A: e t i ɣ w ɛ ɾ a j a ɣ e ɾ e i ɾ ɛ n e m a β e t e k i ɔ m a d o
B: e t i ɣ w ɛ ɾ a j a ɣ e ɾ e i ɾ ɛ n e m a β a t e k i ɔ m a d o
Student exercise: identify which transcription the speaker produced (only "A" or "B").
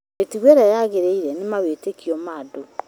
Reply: A